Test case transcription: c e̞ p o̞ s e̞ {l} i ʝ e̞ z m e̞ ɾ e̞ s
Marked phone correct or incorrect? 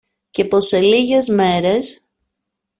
correct